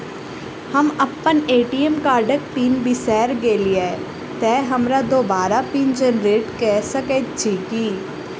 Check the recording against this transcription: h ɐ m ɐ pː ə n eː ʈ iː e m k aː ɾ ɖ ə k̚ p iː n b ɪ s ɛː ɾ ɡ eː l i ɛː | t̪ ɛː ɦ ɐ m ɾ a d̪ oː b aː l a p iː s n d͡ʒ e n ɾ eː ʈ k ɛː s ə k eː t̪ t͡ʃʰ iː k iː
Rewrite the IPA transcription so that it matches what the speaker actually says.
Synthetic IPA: h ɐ m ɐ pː ə n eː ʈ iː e m k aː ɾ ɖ ə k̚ p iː n b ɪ s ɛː ɾ ɡ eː l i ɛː | t̪ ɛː ɦ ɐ m ɾ a d̪ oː b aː ɾ a p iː n d͡ʒ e n ɾ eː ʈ k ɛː s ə k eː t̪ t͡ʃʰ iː k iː